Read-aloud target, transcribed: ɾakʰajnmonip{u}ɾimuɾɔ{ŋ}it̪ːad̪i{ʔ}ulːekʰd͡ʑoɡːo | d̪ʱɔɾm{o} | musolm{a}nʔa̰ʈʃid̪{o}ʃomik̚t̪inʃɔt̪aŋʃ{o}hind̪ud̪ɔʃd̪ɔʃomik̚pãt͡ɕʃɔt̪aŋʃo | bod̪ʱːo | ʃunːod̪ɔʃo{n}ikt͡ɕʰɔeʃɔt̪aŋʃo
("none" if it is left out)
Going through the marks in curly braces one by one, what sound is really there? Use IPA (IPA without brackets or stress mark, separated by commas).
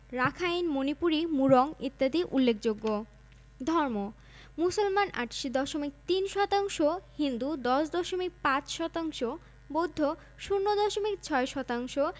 u, ŋ, ʔ, o, a, ɔ, o, m